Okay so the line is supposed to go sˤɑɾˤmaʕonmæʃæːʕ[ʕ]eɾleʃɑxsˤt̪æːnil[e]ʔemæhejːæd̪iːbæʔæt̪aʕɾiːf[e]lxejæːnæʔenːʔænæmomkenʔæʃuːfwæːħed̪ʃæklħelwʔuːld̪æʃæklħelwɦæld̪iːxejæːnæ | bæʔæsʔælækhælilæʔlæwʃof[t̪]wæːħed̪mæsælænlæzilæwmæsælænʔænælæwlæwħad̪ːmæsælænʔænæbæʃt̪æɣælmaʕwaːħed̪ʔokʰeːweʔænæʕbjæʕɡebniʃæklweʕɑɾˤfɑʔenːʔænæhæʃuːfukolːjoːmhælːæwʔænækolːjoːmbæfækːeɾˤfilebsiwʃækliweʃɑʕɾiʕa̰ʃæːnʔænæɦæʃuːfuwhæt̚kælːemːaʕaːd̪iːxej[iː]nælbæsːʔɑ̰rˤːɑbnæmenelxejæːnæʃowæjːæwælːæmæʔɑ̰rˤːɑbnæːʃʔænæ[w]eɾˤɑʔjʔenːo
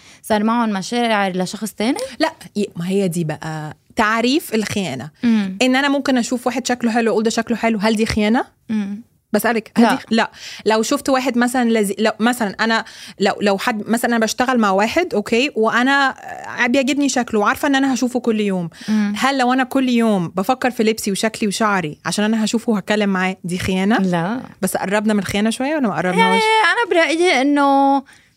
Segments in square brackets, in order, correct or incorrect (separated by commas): correct, incorrect, correct, correct, incorrect, incorrect